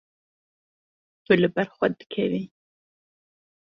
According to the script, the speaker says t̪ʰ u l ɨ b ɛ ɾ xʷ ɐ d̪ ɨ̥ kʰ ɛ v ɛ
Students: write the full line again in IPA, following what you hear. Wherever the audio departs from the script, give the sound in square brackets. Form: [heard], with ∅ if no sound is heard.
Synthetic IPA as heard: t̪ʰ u l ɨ b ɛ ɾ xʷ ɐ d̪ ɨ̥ kʰ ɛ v [i]